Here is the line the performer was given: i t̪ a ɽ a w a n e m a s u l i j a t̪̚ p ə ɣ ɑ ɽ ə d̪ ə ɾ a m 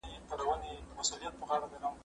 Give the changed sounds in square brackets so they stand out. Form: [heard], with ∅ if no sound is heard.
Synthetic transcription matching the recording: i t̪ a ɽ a w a n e m a s u l i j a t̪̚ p ə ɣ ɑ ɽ [a] d̪ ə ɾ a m